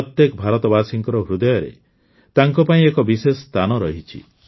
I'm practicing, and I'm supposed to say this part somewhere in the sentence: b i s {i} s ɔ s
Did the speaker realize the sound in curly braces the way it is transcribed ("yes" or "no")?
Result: no